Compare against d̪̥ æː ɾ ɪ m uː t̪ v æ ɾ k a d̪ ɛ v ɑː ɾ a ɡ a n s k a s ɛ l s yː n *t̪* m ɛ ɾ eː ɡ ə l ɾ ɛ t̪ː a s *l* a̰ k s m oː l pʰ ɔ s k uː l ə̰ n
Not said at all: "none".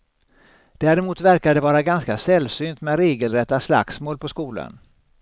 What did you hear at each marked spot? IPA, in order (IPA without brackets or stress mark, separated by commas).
t̪, l